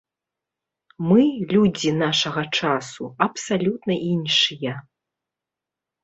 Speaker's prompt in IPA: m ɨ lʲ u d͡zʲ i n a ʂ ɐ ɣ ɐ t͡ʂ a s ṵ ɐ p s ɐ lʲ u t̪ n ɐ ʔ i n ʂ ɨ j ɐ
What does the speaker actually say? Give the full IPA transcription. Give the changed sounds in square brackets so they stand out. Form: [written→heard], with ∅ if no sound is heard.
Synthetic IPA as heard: m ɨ lʲ u d͡zʲ i n a ʂ ɐ ɣ ɐ t͡ʂ a s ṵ ɐ p s [ɐ→a] lʲ u t̪ n ɐ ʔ i n ʂ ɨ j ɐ